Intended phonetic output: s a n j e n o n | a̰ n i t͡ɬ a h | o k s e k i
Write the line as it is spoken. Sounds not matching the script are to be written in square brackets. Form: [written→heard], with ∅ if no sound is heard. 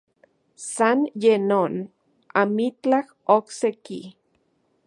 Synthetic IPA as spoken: s a n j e n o n | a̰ [n→m] i t͡ɬ a h | o k s e k i